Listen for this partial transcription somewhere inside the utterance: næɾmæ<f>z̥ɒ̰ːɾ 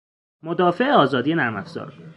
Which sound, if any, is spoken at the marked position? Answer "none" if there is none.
f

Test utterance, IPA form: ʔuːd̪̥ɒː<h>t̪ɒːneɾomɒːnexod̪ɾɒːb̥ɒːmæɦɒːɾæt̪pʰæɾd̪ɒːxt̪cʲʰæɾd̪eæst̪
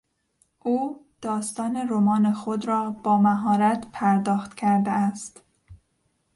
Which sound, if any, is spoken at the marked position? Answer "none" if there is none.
s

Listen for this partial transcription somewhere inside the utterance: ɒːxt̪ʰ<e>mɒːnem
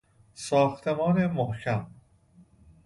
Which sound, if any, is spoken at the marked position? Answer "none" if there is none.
e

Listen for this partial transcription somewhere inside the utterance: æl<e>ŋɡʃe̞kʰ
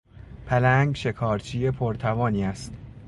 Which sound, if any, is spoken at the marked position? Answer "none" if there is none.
æ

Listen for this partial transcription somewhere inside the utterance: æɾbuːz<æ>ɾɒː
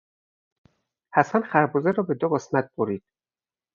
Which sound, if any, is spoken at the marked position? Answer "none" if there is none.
e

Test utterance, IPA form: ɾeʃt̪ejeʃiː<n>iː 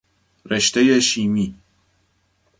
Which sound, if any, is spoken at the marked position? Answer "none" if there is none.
m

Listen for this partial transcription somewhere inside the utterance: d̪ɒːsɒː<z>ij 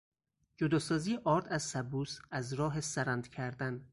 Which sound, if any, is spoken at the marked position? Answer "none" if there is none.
z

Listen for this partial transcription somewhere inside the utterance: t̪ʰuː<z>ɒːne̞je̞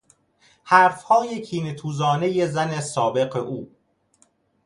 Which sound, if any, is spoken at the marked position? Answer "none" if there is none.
z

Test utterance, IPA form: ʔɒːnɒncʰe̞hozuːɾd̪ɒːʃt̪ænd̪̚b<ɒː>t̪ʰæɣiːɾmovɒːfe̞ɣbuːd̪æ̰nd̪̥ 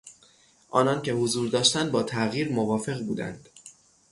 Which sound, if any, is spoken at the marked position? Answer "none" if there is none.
ɒː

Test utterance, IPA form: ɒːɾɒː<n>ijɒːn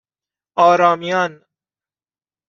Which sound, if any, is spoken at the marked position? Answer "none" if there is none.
m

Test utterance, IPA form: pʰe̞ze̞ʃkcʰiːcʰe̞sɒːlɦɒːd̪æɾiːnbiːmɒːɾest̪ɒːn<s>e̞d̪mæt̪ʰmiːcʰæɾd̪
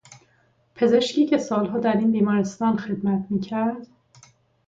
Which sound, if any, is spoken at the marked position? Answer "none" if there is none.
x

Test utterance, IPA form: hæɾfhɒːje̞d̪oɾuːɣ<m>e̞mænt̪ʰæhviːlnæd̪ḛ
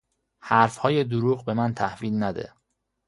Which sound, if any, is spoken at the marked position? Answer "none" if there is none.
b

